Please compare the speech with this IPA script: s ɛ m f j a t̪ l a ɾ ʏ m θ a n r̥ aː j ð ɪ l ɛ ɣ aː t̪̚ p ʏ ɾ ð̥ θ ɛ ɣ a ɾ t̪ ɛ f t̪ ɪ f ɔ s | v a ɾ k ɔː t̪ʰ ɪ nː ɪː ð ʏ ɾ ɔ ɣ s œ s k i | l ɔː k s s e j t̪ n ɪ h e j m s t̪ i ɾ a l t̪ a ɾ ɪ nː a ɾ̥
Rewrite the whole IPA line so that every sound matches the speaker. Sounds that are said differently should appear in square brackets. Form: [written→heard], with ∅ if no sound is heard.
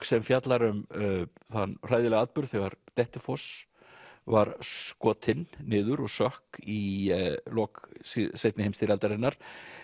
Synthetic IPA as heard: s ɛ m f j a t̪ l a ɾ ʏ m θ a n r̥ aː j ð ɪ l ɛ ɣ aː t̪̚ p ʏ ɾ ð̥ θ ɛ ɣ a ɾ t̪ ɛ [f→h] t̪ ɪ f ɔ s | v a ɾ k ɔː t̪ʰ ɪ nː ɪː ð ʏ ɾ ɔ ɣ s œ [s→h] k i | l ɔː k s s e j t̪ n ɪ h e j m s t̪ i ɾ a l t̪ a ɾ ɪ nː a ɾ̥